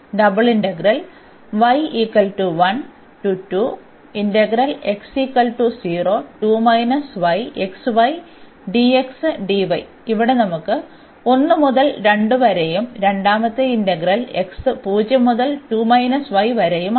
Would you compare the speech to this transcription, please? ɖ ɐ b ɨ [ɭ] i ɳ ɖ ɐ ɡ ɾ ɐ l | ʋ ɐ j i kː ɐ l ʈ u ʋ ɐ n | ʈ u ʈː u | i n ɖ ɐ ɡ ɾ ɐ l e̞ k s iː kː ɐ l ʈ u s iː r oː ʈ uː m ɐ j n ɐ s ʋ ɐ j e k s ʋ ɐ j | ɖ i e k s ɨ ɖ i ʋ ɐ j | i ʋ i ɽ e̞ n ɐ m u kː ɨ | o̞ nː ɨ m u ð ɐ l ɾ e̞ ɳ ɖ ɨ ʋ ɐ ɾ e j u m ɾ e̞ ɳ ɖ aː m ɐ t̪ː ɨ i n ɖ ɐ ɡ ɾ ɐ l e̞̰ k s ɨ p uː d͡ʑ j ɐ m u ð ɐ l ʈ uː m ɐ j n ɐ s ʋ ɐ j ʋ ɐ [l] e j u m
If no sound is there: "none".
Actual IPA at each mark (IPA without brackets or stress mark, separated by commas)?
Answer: ɭ, ɾ